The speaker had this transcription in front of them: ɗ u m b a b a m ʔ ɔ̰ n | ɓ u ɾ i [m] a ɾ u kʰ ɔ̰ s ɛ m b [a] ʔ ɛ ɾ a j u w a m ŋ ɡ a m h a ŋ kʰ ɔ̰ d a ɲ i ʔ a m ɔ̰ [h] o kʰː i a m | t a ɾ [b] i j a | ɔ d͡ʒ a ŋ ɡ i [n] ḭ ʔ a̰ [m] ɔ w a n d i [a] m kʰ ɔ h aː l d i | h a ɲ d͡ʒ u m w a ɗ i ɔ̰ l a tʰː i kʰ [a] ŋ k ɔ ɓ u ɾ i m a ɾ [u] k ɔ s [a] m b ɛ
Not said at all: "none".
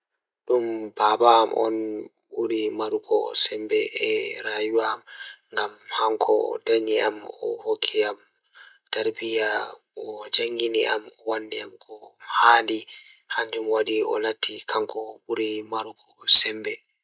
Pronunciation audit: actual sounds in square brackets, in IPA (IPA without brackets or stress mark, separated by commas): m, ɛ, h, b, n, m, a, a, u, ɛ